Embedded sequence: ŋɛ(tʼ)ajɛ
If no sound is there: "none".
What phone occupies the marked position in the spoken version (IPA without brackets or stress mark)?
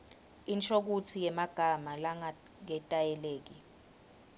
tʼ